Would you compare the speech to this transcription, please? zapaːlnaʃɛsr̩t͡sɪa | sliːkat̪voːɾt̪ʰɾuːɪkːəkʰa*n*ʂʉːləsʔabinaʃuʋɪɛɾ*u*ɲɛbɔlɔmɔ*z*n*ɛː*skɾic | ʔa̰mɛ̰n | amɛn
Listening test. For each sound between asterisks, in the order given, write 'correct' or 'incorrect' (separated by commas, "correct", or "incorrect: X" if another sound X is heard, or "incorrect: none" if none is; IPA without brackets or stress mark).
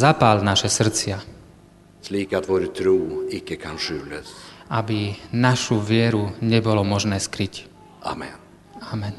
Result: correct, correct, incorrect: ʒ, correct